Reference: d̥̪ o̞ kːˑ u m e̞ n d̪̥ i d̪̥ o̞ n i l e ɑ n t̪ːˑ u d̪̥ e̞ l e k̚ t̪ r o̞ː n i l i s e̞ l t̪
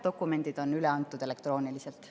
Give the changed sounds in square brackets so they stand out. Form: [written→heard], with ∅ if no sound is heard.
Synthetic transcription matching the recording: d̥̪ o̞ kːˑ u m e̞ n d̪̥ i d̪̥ o̞ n [i→y] l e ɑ n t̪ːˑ u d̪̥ e̞ l e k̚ t̪ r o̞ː n i l i s e̞ l t̪